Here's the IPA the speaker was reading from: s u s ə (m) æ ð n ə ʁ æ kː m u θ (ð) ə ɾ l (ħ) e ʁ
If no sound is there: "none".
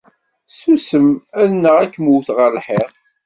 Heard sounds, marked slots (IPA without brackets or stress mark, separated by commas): m, ʁ, ħ